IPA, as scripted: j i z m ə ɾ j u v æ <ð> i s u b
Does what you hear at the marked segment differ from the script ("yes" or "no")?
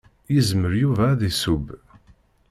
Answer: no